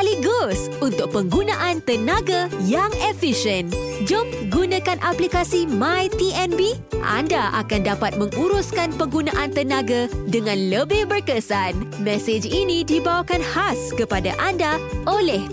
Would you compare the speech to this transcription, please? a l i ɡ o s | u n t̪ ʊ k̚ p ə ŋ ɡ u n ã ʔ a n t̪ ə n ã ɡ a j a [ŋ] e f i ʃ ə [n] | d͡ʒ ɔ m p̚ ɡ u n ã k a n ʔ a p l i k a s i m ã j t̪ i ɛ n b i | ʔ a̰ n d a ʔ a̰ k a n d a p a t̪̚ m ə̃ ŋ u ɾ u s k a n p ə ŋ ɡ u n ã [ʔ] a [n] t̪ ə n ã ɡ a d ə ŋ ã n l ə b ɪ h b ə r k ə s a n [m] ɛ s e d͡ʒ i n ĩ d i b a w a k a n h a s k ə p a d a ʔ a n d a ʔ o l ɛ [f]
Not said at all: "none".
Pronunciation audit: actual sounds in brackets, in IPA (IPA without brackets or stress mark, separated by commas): ŋ, n, ʔ, n, m, h